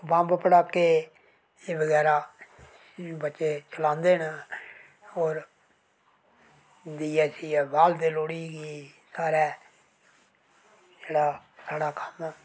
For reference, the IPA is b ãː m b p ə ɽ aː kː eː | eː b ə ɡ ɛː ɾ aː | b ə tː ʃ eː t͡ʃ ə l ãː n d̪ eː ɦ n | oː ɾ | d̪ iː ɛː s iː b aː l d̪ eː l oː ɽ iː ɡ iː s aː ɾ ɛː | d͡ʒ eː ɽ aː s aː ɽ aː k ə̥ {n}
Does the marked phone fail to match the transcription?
yes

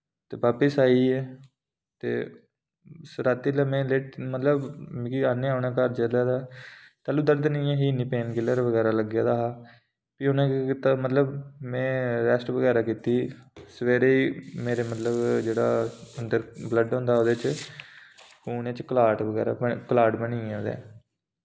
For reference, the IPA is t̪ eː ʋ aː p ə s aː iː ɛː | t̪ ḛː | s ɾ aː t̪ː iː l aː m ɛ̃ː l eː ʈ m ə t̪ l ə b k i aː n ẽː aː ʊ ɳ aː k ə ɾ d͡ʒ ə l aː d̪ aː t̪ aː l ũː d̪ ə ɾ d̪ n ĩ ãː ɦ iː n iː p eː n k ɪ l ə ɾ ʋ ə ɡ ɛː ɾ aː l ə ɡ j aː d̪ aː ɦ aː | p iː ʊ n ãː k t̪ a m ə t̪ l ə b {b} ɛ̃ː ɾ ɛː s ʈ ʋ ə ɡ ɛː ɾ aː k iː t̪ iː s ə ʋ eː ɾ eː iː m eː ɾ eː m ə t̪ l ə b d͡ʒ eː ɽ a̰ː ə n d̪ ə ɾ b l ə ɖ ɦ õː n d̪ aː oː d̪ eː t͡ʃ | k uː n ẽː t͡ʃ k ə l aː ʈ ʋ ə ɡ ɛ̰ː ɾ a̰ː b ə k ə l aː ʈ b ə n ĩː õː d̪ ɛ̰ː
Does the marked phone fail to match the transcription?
yes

